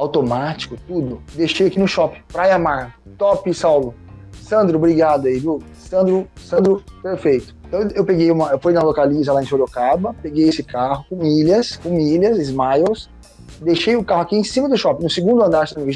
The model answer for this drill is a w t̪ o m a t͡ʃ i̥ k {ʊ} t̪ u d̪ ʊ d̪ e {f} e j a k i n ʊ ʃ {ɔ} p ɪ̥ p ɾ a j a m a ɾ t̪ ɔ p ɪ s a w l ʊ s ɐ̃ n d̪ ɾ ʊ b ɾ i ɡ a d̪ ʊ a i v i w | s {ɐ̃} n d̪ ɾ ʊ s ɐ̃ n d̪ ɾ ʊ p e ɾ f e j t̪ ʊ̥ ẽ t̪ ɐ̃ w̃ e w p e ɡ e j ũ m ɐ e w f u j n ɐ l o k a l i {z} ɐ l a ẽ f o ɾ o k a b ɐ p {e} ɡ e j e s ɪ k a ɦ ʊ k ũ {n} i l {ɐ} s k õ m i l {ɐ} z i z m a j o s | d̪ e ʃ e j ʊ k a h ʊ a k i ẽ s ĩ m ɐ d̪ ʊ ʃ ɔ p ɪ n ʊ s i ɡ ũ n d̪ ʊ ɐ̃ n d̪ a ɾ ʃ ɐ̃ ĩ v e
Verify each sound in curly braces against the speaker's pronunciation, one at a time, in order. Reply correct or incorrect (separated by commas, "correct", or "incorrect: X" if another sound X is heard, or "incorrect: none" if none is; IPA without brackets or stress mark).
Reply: correct, incorrect: ʃ, correct, correct, correct, correct, incorrect: m, correct, correct